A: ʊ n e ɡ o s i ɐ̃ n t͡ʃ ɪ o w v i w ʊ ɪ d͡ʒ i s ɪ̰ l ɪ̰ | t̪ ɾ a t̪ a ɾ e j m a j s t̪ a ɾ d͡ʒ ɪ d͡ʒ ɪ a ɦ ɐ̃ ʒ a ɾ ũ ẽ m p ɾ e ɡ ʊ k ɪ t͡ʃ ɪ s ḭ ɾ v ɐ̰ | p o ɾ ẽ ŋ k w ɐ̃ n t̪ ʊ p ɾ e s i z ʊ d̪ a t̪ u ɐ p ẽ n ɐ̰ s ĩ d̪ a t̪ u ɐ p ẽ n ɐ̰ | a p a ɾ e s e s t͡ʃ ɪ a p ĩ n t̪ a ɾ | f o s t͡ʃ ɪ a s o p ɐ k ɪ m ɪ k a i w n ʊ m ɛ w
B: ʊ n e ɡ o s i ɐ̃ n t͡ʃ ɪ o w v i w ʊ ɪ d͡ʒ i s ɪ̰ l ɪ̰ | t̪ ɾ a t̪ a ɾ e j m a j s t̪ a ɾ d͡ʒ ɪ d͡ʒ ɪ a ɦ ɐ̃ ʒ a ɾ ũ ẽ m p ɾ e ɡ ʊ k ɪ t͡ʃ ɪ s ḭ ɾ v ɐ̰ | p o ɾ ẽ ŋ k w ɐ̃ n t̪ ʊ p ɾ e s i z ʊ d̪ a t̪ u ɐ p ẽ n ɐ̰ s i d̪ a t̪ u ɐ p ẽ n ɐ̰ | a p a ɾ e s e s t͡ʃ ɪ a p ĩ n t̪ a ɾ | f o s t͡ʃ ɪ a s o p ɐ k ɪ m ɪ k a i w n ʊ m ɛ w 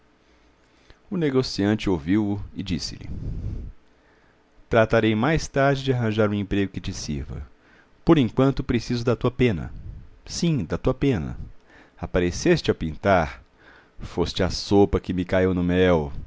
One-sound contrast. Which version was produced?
A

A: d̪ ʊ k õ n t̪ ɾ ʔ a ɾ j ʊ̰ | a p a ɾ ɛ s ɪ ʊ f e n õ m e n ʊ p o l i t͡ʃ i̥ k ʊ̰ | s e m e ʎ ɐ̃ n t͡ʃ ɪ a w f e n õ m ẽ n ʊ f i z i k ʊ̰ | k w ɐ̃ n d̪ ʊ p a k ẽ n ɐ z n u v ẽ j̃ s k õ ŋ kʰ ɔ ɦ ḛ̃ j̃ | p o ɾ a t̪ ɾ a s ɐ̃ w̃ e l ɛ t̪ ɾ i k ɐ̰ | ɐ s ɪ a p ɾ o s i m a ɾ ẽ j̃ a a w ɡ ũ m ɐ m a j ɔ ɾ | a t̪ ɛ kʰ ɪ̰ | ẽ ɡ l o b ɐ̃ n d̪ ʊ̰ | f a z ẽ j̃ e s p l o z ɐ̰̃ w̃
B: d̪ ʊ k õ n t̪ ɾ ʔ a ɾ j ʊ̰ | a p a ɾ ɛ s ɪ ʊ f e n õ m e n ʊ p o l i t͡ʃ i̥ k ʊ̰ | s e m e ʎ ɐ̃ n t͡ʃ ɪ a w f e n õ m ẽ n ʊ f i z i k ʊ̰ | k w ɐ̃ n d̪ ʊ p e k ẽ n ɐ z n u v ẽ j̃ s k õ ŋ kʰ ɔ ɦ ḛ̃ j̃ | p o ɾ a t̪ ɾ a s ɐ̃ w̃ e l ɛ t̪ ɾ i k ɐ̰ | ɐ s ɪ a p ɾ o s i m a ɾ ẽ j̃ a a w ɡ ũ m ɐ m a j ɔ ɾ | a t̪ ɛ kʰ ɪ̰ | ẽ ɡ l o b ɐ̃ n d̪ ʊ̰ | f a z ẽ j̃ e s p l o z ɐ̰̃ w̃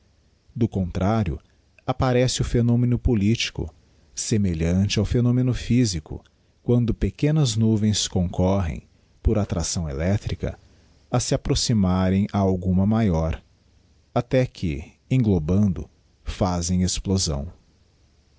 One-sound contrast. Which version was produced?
B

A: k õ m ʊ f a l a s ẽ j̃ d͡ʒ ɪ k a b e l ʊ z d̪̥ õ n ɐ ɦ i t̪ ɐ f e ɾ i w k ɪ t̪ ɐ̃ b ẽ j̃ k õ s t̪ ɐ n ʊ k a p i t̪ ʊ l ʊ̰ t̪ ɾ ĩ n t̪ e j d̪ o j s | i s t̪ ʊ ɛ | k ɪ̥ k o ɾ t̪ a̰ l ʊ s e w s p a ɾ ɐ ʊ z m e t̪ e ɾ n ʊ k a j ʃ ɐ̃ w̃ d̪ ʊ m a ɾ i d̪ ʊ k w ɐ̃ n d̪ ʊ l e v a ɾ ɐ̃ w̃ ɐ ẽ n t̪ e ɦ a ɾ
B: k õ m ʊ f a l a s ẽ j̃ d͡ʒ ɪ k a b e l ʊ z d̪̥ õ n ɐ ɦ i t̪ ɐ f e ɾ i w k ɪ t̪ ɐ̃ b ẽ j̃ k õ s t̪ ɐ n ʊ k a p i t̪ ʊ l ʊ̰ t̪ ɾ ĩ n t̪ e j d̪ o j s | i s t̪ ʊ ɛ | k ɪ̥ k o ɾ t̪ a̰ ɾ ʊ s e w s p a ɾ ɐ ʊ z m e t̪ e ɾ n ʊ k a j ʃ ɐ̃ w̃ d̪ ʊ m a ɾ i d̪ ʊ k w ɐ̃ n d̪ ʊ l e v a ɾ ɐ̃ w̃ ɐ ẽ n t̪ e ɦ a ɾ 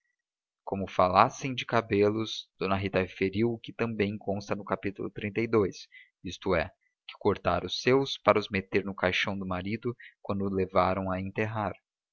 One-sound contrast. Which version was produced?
B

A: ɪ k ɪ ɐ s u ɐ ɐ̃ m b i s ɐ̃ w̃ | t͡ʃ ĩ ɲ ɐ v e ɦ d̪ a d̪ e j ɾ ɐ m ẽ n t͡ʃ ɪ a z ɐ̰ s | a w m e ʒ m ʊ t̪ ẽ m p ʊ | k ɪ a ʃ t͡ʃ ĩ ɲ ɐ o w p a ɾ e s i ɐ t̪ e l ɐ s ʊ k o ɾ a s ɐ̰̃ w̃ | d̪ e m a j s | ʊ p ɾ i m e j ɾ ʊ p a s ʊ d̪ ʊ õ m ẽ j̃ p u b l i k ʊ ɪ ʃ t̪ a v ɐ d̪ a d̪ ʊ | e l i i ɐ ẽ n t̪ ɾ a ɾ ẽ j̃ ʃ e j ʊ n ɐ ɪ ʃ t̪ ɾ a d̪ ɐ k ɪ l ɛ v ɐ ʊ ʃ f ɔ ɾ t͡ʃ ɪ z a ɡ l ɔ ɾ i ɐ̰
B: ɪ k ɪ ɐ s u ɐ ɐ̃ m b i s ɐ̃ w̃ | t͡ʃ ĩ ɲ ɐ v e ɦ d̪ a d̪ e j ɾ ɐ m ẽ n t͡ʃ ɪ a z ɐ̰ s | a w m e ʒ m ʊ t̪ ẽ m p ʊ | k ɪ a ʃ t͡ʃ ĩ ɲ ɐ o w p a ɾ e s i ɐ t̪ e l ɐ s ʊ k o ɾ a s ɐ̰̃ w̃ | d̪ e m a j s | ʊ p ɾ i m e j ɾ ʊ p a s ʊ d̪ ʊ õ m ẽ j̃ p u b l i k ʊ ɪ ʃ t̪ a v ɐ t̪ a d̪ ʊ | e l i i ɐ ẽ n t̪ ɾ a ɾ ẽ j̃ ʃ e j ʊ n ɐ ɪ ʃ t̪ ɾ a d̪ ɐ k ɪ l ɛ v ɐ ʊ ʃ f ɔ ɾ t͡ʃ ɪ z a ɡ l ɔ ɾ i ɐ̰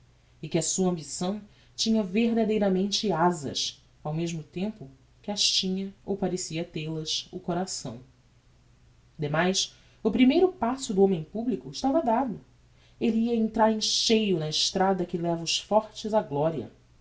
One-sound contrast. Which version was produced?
A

